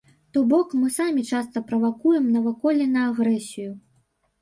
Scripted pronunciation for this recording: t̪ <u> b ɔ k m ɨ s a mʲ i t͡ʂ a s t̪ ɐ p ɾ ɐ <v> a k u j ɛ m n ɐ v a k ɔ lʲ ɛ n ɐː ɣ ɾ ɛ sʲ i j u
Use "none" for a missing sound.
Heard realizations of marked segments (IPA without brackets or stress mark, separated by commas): ɔ, v